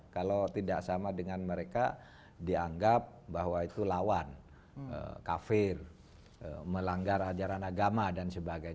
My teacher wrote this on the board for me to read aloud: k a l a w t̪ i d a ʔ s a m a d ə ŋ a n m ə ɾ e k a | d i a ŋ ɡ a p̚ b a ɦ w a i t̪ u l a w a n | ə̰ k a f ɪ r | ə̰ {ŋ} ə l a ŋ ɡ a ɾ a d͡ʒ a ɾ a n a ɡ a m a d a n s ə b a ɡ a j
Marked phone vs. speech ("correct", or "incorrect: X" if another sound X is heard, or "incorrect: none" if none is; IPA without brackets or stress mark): incorrect: m